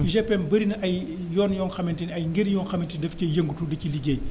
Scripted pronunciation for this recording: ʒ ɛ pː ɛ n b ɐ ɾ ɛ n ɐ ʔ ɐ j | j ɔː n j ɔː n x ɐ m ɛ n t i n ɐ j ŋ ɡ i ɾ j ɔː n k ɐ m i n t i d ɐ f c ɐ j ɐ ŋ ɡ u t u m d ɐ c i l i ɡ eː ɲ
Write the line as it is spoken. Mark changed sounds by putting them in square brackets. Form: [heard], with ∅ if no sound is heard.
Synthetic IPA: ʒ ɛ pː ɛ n b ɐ ɾ [i] n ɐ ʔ ɐ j | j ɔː n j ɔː n x ɐ m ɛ n t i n ɐ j ŋ ɡ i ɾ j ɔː n [x] ɐ m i n t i d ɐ f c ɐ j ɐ ŋ ɡ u t u [∅] d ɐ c i l i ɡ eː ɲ